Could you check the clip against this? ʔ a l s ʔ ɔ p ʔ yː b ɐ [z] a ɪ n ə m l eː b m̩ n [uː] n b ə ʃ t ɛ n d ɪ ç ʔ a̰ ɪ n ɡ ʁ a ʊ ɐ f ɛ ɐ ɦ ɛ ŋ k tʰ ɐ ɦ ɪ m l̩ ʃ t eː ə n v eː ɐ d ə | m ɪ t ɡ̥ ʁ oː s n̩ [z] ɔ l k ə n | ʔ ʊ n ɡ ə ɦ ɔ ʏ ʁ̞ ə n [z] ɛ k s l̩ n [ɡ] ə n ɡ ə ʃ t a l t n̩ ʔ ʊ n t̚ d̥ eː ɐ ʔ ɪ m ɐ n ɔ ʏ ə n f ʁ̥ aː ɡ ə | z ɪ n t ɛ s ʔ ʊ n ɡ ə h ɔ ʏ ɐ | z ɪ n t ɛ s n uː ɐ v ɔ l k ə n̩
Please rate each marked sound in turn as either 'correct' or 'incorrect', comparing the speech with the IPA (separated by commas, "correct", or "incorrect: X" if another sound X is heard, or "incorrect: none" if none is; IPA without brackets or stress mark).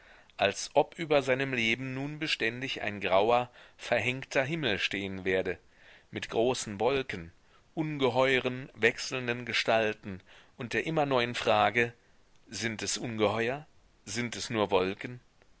correct, correct, incorrect: v, incorrect: v, incorrect: d